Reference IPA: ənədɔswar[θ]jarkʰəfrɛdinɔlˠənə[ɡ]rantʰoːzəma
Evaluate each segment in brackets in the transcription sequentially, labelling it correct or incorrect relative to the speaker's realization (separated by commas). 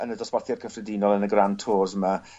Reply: correct, correct